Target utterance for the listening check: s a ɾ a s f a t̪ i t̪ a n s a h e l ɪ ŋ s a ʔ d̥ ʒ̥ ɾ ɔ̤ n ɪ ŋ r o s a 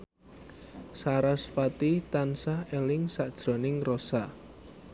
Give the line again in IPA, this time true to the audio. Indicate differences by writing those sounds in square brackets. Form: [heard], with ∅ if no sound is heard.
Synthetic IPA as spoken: s a ɾ a s f a t̪ i t̪ a n s a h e l ɪ ŋ s a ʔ d̥ ʒ̥ ɾ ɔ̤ n ɪ ŋ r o s a